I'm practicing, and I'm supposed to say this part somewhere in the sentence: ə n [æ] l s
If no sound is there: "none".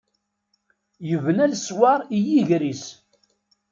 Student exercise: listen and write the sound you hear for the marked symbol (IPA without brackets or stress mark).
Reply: æ